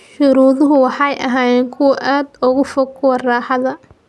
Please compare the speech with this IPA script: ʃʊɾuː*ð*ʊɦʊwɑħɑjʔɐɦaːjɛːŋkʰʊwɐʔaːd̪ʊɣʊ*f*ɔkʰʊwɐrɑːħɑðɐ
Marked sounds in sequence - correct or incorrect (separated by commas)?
correct, correct